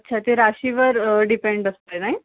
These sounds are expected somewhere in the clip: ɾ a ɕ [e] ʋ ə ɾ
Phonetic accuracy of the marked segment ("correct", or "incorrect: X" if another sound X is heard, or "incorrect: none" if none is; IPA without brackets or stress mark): incorrect: i